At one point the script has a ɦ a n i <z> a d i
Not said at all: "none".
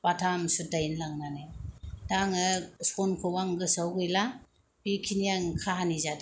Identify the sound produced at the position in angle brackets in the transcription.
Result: z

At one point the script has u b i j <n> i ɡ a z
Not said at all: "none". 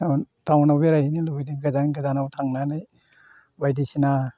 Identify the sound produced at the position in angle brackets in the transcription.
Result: d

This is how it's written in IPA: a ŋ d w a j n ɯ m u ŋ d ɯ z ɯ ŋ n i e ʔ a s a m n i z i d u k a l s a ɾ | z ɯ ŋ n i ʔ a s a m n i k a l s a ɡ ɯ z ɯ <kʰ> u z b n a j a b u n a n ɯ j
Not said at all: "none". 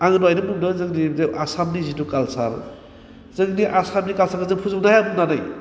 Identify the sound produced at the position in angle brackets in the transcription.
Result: pʰ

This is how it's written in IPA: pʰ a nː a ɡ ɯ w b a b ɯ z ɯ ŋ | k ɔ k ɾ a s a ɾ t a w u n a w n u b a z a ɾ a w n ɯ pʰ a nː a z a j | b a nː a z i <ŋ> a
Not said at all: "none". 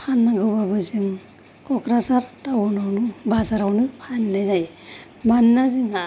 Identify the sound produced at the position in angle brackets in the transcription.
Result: ŋ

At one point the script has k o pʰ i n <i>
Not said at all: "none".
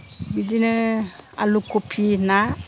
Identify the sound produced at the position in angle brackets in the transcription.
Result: a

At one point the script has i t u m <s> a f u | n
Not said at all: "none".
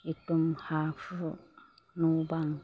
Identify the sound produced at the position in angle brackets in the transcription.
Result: h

